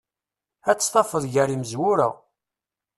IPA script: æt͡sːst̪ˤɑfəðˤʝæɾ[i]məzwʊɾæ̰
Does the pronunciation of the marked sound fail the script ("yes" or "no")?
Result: no